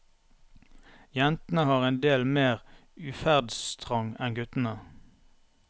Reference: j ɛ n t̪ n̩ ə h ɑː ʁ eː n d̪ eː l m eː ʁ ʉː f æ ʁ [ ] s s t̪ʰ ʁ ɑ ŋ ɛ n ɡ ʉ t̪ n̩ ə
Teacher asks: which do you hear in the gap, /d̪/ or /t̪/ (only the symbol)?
d̪